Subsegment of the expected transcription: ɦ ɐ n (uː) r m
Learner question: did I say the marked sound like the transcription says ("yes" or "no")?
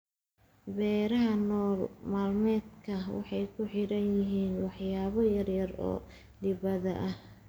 no